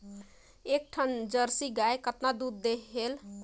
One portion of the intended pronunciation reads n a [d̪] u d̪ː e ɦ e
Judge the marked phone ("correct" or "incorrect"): correct